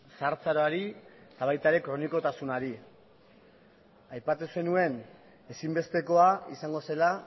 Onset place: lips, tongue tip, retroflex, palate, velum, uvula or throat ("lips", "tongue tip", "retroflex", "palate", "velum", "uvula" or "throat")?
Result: tongue tip